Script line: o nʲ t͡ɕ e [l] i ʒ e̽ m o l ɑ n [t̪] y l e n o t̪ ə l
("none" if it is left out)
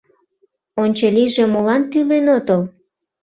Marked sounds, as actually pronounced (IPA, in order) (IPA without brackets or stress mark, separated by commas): l, t̪